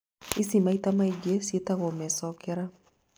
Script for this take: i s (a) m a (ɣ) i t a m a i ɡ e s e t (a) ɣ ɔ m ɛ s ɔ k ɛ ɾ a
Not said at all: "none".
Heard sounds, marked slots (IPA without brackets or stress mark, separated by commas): i, none, a